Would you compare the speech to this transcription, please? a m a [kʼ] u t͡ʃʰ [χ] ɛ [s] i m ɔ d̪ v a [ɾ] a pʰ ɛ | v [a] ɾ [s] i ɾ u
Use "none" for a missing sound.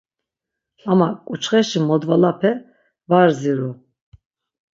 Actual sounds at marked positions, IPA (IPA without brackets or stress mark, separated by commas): kʼ, χ, ʃ, l, a, z